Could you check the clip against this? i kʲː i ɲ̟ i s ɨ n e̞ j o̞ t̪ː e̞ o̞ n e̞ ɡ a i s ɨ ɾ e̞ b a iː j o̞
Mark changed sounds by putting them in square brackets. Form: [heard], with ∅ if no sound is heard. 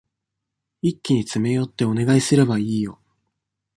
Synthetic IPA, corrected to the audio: i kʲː i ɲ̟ i [t͡s] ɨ [m] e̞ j o̞ t̪ː e̞ o̞ n e̞ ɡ a i s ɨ ɾ e̞ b a iː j o̞